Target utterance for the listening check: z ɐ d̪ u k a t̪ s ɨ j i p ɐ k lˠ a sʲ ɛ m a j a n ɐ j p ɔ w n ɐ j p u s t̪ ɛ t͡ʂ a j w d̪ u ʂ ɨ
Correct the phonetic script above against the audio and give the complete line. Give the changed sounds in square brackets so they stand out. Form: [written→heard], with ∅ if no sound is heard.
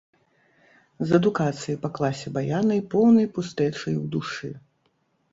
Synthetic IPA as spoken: z ɐ d̪ u k a t̪ s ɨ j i p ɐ k lˠ a sʲ ɛ [m→b] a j a n ɐ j p ɔ w n ɐ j p u s t̪ ɛ t͡ʂ [a→ɐ] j w d̪ u ʂ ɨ